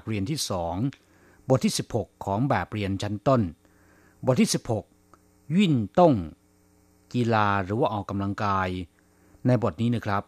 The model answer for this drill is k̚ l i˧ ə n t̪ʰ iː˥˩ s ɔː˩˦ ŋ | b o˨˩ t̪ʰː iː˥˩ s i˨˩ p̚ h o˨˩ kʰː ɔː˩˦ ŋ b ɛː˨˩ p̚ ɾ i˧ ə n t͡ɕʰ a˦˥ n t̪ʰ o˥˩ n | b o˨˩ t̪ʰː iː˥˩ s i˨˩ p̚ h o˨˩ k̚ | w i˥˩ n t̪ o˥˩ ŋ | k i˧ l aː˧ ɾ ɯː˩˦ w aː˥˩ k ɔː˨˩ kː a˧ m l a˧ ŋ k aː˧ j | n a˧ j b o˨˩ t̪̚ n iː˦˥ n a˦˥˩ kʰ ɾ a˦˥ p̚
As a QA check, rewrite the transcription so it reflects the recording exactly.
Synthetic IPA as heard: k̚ ɾ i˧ ə n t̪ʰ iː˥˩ s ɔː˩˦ ŋ | b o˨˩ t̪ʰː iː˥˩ s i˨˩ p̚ h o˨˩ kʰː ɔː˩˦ ŋ b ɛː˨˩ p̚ ɾ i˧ ə n t͡ɕʰ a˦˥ n t̪ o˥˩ n | b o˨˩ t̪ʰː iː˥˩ s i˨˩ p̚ h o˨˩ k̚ | w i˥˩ n t̪ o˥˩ ŋ | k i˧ l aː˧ ɾ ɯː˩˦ w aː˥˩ ʔ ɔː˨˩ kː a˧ m l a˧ ŋ k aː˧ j | n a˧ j b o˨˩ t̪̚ n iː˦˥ n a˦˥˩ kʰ ɾ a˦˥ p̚